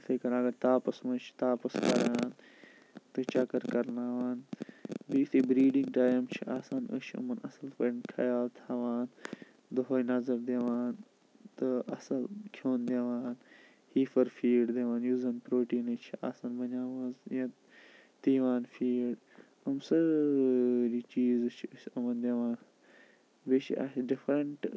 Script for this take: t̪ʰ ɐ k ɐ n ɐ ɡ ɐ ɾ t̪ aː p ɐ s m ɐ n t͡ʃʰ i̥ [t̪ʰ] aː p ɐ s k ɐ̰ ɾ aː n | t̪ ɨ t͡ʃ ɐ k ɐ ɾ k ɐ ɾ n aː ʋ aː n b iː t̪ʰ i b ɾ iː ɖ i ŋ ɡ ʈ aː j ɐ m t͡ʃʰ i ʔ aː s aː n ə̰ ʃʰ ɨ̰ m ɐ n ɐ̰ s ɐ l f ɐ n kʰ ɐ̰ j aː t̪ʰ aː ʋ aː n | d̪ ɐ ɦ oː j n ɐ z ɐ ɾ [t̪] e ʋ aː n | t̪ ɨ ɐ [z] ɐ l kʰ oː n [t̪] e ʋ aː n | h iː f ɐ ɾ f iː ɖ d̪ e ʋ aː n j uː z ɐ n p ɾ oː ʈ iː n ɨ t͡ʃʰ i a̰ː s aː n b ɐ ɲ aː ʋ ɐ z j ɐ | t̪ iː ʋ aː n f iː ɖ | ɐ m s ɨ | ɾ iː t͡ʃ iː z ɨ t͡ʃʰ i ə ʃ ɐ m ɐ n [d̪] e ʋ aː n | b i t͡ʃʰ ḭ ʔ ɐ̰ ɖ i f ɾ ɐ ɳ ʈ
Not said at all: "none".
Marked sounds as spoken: t̪, d̪, s, d̪, d̪

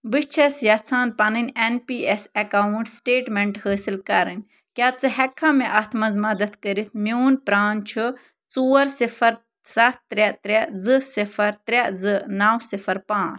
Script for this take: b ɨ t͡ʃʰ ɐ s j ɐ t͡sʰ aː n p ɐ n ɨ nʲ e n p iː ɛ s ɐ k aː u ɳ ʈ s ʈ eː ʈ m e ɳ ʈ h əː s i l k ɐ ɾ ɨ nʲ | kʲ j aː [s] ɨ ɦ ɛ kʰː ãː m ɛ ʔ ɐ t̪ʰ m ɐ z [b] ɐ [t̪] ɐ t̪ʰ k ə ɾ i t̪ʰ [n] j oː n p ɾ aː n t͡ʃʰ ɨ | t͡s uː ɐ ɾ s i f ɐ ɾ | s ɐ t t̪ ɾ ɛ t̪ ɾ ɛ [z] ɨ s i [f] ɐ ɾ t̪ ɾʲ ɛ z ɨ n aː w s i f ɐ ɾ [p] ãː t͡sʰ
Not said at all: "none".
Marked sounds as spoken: t͡s, m, d̪, m, z, f, p

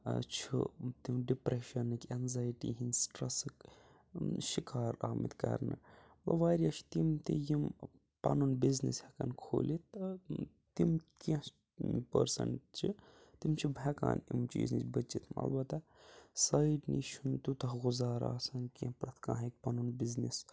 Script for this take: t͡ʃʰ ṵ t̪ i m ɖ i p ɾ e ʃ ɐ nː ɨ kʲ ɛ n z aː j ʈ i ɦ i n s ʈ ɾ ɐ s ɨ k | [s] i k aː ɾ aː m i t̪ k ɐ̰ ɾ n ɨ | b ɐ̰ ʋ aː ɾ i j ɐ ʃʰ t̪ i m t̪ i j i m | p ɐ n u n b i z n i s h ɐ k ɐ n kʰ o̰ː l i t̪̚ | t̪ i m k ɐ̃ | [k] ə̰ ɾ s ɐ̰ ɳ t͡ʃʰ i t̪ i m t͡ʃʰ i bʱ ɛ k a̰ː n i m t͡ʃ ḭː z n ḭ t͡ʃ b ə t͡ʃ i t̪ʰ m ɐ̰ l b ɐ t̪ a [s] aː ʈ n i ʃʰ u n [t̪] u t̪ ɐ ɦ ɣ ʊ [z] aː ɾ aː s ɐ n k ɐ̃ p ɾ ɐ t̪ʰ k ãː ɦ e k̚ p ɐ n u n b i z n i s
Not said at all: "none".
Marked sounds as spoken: ʃ, p, s, t̪, z

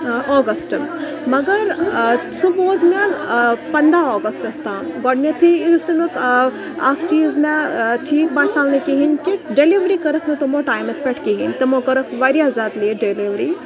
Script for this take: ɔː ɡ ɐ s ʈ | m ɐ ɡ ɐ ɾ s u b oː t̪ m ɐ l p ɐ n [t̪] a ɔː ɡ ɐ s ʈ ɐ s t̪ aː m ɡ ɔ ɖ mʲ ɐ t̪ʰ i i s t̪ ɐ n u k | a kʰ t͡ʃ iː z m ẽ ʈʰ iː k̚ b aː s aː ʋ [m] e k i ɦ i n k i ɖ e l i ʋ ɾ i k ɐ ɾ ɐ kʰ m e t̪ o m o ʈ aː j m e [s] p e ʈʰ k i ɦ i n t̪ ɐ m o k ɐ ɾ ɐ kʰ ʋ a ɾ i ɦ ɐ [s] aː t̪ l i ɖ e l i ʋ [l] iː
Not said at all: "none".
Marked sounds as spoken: d̪, n, s, z, ɾ

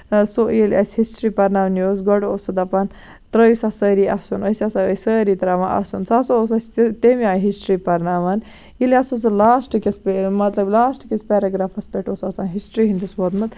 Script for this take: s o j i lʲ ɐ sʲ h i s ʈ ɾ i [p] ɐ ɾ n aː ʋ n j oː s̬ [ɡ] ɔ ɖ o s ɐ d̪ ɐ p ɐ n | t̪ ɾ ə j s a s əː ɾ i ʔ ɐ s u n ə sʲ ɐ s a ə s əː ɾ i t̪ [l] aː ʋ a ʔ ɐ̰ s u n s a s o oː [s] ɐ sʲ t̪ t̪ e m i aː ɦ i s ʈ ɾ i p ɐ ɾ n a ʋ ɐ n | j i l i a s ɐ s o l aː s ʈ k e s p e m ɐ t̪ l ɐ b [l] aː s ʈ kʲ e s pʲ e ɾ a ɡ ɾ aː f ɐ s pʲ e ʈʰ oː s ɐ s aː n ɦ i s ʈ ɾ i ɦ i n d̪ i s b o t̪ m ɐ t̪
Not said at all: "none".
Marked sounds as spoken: p, ɡ, ɾ, s, l

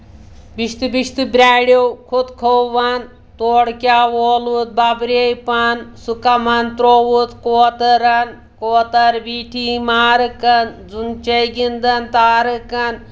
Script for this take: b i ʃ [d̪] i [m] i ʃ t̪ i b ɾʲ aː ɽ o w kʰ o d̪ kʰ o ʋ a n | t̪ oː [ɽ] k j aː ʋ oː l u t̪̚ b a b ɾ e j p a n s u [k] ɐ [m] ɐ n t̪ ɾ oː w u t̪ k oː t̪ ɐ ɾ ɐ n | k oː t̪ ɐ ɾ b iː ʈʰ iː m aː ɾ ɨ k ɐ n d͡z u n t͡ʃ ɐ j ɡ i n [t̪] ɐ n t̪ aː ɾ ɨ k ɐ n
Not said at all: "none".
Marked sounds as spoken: t̪, b, ɽ, k, m, d̪

